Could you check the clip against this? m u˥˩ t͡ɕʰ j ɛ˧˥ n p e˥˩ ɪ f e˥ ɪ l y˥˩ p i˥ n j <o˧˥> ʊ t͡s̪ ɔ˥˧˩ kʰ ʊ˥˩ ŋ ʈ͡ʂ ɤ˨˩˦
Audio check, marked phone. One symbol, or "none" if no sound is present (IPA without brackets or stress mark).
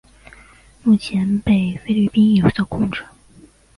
o˨˩